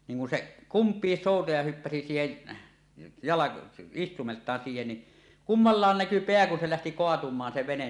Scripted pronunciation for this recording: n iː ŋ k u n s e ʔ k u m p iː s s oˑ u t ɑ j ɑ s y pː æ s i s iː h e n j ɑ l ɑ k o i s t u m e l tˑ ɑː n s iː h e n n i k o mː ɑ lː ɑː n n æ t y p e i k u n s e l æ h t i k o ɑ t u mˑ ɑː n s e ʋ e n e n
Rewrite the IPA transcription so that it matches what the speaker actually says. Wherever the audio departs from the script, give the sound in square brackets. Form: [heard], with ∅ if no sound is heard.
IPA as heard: n iː ŋ k u n s e ʔ k u m p iː s s oˑ u t ɑ j ɑ [h] y pː æ s i s iː h e n j ɑ l ɑ k o i s t u m e l tˑ ɑː n s iː h e n n i k [u] mː ɑ lː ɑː n n æ [k] y p e [æ] k u n s e l æ h t i k o ɑ t u mˑ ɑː n s e ʋ e n e n